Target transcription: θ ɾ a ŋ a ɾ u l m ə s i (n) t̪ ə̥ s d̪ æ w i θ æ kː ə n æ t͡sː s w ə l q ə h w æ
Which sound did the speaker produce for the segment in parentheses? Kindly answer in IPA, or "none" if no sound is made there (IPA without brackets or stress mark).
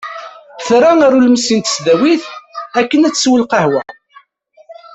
n